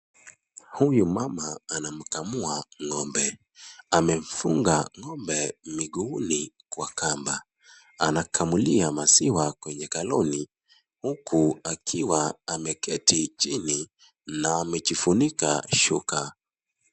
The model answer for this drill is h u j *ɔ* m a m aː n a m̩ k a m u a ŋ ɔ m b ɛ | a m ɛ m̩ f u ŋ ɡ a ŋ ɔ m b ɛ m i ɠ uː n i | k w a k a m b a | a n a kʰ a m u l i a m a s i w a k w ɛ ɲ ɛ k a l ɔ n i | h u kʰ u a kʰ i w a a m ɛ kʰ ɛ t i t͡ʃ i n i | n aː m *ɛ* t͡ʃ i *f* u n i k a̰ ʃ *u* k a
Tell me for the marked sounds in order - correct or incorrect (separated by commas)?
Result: incorrect, correct, correct, correct